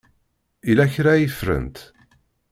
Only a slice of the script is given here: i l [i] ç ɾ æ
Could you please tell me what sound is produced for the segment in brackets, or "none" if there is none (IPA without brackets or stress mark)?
æ